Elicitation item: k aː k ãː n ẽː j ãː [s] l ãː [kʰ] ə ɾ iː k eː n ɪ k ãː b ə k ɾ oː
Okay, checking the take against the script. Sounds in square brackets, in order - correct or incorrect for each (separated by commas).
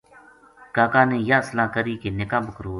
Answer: correct, incorrect